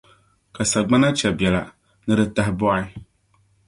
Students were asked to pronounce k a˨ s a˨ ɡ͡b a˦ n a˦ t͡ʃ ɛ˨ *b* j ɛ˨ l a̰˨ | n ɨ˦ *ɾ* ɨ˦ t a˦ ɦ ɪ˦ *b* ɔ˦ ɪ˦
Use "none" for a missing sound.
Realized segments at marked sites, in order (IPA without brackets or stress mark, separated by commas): b, ɾ, b